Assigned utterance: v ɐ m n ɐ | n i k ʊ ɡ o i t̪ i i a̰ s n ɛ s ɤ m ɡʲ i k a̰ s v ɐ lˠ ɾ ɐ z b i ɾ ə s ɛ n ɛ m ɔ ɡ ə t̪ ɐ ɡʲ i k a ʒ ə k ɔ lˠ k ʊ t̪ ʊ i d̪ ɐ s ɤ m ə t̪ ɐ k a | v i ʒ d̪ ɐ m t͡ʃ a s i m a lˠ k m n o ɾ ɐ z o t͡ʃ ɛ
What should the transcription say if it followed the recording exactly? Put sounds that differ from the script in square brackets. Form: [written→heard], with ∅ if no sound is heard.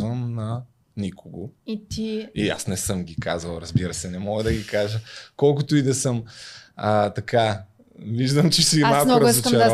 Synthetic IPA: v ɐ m n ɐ | n i k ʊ ɡ o i t̪ i i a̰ s n ɛ s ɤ m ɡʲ i k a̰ [s→z] v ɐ lˠ ɾ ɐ z b i ɾ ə s ɛ n ɛ m ɔ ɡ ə [t̪→d̪] ɐ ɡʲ i k a ʒ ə k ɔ lˠ k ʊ t̪ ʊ i d̪ ɐ s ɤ m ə t̪ ɐ k a | v i ʒ d̪ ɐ m t͡ʃ [a→ɛ] s i m a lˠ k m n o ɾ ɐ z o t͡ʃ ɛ